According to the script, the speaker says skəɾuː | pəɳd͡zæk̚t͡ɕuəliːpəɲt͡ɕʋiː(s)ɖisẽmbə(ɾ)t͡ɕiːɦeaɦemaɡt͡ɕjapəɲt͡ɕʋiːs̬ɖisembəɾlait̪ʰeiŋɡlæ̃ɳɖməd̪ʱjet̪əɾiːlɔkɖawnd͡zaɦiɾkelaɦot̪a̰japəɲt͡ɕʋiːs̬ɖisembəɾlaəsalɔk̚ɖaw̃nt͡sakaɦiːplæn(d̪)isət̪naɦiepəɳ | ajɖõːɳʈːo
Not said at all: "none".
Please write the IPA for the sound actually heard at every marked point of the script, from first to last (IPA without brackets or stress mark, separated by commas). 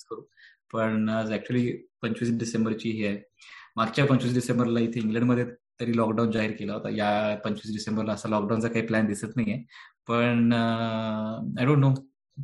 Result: s, ɾ, d̪